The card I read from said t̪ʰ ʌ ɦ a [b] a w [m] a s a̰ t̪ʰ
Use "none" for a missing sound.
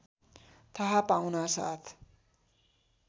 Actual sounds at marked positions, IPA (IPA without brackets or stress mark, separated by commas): p, n